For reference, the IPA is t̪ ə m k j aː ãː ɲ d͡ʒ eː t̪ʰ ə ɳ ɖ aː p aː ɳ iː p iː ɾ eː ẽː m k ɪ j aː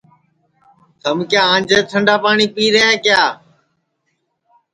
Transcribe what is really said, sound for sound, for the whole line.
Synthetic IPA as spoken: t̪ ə m k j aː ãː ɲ d͡ʒ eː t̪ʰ ə ɳ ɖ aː p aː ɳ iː p iː ɾ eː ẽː k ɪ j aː